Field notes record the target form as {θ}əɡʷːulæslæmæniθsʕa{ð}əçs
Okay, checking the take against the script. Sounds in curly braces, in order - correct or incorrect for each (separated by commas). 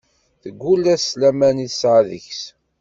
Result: correct, correct